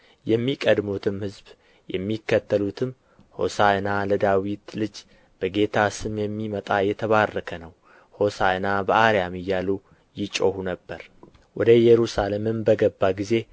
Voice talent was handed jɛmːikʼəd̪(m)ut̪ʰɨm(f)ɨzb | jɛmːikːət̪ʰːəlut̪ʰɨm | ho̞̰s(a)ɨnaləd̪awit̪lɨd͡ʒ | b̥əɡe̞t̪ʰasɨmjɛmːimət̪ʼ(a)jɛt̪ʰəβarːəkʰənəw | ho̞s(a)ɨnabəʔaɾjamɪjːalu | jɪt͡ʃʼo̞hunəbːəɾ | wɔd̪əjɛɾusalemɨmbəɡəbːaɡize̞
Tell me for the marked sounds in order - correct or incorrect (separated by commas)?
correct, incorrect, correct, correct, correct